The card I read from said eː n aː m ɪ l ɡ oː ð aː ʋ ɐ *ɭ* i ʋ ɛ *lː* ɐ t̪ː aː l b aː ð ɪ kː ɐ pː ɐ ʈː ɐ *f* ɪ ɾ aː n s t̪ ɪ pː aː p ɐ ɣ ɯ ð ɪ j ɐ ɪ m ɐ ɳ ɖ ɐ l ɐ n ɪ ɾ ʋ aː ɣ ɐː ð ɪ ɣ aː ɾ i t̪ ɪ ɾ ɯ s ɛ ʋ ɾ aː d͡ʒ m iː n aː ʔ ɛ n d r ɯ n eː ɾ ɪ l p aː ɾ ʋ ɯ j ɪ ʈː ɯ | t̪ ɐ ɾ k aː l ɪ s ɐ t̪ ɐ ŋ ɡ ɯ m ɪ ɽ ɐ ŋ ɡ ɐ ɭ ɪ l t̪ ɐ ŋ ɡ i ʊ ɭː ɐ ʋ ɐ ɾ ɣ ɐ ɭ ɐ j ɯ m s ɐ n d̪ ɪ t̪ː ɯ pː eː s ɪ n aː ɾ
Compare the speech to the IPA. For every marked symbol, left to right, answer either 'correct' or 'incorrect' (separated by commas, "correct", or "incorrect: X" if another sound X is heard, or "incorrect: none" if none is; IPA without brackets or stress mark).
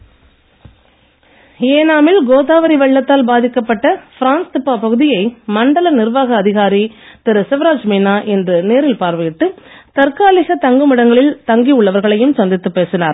incorrect: ɾ, incorrect: ɭː, correct